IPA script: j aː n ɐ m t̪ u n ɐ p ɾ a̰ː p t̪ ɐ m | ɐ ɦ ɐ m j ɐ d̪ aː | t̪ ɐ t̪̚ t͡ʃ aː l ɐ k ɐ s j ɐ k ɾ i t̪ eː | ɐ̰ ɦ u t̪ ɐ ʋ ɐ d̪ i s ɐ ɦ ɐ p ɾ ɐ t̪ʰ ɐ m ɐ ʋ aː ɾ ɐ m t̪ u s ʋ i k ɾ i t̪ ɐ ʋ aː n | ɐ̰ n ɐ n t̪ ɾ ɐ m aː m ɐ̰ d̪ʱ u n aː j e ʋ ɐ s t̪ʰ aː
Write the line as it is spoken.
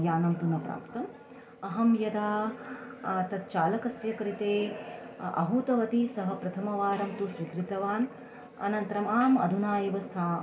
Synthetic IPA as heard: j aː n ɐ m t̪ u n ɐ p ɾ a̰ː p t̪ ɐ m | ɐ ɦ ɐ m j ɐ d̪ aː | t̪ ɐ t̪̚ t͡ʃ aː l ɐ k ɐ s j ɐ k ɾ i t̪ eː | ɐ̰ ɦ u t̪ ɐ ʋ ɐ t̪ i s ɐ ɦ ɐ p ɾ ɐ t̪ʰ ɐ m ɐ ʋ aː ɾ ɐ m t̪ u s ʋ i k ɾ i t̪ ɐ ʋ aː n | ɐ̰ n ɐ n t̪ ɾ ɐ m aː m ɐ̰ d̪ʱ u n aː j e ʋ ɐ s t̪ʰ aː